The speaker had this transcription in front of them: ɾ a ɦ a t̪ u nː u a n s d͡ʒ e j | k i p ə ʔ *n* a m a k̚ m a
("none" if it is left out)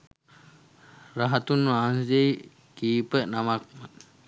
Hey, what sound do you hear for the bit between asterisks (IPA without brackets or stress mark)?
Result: n